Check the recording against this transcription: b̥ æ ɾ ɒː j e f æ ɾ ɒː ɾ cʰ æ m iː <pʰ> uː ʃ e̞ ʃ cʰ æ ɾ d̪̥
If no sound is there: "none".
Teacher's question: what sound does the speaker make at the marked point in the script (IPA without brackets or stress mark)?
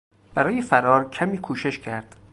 kʰ